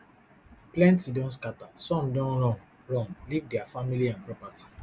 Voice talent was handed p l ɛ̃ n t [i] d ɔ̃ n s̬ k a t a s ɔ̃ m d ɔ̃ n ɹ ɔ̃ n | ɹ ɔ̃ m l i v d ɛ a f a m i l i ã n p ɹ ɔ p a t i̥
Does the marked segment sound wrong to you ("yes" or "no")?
no